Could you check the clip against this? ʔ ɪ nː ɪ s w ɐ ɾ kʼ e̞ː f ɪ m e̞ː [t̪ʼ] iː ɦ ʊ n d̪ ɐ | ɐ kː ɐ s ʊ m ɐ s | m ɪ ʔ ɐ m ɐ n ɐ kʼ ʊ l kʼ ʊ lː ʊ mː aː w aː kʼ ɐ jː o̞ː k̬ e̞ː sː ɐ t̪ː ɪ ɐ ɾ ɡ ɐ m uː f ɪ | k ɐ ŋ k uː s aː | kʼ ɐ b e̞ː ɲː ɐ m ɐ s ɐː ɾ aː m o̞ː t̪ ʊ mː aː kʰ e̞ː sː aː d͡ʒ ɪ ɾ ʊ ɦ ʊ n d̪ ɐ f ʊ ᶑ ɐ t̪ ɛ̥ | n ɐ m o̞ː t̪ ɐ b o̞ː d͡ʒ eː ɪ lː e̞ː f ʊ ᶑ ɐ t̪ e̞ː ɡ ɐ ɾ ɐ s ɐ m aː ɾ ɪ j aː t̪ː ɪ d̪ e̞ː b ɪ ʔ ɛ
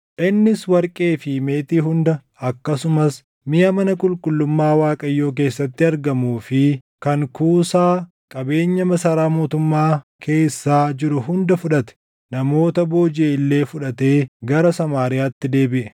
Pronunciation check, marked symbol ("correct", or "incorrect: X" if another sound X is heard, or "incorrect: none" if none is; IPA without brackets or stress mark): incorrect: t̪